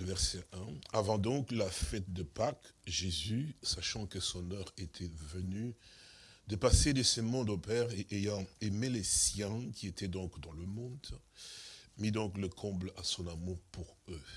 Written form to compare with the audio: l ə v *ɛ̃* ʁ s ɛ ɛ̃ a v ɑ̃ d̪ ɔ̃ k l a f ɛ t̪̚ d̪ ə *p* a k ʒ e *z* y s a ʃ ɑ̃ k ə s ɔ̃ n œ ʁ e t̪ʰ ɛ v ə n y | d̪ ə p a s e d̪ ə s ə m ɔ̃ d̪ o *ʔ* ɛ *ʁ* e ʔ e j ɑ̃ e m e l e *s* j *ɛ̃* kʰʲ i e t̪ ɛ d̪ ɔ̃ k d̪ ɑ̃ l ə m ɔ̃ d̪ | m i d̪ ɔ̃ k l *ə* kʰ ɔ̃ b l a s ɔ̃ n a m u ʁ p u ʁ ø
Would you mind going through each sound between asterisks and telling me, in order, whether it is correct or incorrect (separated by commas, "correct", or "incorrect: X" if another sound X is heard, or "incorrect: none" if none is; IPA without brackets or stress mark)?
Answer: incorrect: ɛ, correct, correct, incorrect: p, correct, correct, correct, correct